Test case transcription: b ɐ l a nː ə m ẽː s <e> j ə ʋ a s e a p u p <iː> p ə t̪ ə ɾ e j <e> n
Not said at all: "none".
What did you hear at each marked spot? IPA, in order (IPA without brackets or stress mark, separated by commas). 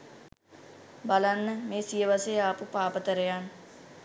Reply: i, aː, a